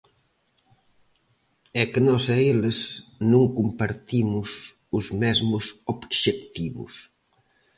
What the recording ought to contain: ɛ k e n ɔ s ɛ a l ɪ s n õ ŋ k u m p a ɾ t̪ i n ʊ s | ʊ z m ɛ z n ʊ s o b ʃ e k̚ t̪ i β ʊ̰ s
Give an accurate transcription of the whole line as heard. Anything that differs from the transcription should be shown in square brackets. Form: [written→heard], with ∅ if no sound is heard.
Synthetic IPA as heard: ɛ k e n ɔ s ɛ [a→e] l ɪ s n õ ŋ k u m p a ɾ t̪ i [n→m] ʊ s | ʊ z m ɛ z [n→m] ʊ s o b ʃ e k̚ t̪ i β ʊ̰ s